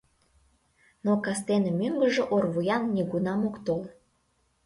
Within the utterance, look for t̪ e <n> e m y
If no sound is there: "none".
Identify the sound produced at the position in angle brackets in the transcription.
n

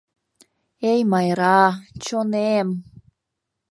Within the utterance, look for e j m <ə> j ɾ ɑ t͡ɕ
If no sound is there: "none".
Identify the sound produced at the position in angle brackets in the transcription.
ɑ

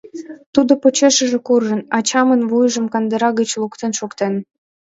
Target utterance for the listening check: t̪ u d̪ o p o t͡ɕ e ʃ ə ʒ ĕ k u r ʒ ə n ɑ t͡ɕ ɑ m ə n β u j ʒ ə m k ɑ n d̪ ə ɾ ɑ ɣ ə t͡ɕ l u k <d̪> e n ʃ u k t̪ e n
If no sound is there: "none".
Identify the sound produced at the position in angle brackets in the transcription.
t̪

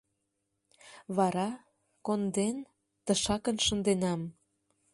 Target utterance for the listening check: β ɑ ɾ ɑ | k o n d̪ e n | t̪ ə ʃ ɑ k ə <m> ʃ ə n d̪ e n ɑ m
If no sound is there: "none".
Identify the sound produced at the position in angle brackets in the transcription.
n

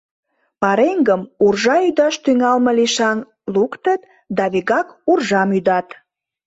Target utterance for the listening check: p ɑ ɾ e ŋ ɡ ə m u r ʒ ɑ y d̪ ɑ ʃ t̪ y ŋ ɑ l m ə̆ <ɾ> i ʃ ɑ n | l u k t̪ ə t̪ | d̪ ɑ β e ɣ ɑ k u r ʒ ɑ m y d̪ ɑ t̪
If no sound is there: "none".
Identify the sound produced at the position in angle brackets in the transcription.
l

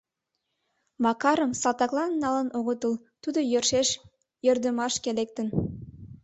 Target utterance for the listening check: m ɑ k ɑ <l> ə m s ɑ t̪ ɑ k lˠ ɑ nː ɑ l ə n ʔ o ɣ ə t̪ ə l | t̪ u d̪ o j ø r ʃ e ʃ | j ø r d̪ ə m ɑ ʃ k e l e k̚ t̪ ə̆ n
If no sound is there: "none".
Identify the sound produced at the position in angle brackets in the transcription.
ɾ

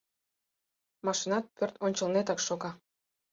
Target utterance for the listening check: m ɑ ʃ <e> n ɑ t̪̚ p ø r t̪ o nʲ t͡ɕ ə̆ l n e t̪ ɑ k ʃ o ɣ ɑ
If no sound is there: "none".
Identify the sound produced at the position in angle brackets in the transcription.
i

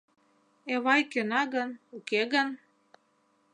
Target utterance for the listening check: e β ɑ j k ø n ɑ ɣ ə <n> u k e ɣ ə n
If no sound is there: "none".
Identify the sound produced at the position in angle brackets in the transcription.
n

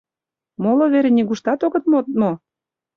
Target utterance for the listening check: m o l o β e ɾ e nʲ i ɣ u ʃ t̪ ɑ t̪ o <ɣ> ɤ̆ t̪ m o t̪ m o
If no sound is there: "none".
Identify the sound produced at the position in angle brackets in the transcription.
ɣ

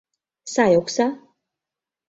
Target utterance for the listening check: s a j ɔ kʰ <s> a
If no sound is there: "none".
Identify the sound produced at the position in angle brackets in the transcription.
s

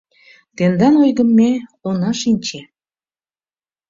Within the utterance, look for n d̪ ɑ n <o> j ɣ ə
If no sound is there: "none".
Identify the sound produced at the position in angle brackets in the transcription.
o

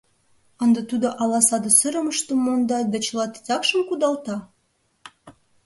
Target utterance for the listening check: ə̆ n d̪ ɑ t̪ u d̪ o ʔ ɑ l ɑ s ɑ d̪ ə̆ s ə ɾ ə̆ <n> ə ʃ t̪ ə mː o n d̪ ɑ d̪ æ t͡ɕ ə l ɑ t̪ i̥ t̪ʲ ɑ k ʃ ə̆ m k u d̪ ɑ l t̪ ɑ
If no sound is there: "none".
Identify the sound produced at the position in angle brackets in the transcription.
m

